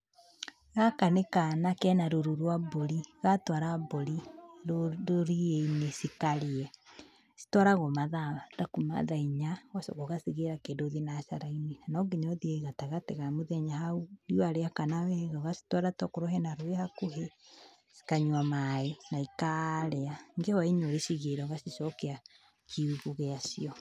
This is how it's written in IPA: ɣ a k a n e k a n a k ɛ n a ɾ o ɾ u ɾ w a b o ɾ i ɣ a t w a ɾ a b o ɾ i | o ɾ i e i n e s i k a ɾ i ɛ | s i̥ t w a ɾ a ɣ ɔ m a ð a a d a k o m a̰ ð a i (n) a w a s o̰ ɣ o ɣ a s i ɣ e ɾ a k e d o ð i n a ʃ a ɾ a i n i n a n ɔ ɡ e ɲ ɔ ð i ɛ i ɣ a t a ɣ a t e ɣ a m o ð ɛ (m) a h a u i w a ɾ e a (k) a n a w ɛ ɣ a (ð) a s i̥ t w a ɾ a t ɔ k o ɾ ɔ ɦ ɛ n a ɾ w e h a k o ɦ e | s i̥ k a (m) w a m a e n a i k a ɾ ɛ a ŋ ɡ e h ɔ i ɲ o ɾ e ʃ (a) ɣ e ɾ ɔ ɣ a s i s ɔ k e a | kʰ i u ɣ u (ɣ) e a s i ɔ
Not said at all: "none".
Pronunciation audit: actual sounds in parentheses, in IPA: ɲ, ɲ, k, ɣ, ɲ, i, ɣ

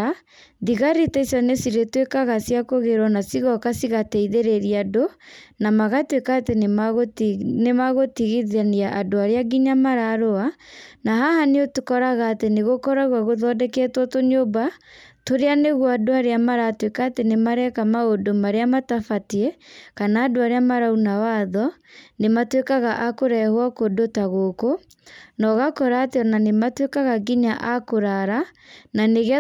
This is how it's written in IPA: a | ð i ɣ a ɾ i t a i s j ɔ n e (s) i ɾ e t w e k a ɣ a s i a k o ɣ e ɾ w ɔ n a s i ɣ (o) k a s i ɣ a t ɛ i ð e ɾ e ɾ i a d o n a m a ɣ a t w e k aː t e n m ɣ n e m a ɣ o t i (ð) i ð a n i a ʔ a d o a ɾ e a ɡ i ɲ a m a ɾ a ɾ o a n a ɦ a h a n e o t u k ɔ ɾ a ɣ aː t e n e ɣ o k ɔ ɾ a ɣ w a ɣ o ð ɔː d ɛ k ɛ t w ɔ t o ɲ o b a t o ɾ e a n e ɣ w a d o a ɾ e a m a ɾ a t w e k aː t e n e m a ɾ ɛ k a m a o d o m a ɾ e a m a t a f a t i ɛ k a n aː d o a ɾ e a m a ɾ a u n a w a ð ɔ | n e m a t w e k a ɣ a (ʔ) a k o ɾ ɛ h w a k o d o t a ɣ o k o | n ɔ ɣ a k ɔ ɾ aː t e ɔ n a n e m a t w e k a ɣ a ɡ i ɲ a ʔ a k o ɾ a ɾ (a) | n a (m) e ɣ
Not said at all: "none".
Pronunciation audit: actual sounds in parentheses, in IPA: s, ɔ, ɣ, ʔ, a, n

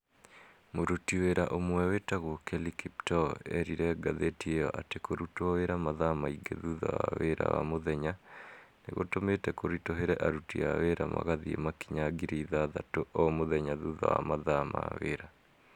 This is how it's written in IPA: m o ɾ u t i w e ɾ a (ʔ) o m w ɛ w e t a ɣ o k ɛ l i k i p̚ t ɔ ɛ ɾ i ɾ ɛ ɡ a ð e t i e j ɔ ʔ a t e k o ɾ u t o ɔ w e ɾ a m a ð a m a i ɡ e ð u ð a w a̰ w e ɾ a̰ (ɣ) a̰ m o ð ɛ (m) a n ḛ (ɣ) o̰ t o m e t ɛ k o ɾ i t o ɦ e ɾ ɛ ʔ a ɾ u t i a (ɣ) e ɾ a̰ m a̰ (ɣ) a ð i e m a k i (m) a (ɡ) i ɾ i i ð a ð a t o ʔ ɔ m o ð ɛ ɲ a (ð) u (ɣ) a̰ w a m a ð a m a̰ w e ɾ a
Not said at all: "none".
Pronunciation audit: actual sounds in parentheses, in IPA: ʔ, w, ɲ, ɣ, w, ɣ, ɲ, ɡ, ð, ð

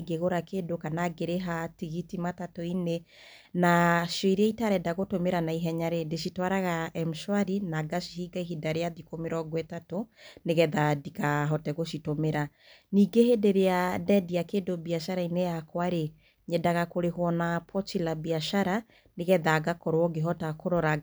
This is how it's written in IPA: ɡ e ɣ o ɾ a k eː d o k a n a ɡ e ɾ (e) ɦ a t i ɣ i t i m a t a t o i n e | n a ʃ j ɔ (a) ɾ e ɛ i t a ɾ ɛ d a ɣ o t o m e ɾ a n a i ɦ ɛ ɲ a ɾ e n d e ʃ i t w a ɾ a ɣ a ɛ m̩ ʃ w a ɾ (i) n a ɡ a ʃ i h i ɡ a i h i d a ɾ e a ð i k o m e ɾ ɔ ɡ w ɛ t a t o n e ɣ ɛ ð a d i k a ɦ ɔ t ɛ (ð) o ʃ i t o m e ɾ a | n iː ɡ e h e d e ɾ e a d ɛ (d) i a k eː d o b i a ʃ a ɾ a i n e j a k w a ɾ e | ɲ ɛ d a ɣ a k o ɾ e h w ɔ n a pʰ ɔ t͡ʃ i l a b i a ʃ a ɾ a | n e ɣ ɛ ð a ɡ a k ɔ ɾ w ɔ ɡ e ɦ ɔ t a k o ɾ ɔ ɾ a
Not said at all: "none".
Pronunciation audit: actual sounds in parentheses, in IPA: e, i, i, ɣ, d

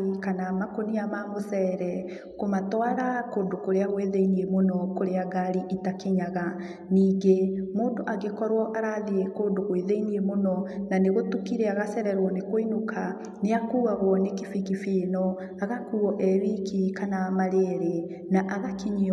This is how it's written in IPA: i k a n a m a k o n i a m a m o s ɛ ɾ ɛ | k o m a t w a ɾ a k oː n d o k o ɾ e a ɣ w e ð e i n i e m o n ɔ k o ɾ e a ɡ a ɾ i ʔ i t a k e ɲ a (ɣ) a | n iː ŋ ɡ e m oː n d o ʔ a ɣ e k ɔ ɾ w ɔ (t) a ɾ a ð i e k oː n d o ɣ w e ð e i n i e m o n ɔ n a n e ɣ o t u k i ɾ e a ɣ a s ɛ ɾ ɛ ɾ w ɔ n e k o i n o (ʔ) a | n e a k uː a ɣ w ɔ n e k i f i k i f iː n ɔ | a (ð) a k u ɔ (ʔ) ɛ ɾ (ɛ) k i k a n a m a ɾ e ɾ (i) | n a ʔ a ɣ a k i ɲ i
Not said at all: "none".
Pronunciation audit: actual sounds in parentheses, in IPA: ɣ, ʔ, k, ɣ, ʔ, i, e

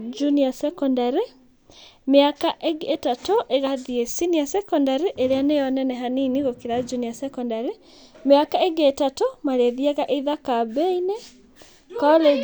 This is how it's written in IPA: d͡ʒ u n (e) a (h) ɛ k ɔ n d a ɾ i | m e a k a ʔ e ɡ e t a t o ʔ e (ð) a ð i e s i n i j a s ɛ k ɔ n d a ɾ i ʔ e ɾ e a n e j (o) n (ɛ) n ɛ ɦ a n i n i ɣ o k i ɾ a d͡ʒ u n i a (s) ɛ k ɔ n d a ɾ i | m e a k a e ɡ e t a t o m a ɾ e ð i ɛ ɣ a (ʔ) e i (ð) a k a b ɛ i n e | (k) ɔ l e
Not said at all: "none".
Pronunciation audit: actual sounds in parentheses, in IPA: i, s, ɣ, ɔ, ɛ, s, ʔ, ð, k

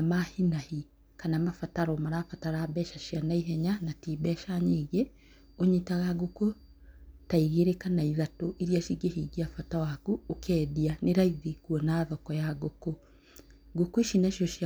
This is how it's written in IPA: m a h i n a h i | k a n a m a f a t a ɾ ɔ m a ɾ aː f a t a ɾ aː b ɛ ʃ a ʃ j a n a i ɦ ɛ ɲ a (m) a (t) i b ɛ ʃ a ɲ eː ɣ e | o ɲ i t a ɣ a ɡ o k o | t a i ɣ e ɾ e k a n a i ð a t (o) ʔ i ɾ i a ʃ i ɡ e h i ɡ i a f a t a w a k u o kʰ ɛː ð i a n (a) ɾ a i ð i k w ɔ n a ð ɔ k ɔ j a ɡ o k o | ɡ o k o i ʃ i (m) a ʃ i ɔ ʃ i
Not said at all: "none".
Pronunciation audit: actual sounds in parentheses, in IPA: n, t, o, e, n

